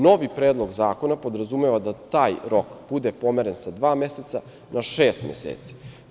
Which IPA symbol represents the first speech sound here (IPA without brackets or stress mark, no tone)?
n